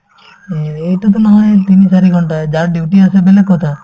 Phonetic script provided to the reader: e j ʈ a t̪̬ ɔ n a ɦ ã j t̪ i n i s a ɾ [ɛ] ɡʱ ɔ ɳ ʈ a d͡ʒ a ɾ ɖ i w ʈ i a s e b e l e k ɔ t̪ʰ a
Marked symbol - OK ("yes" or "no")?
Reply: no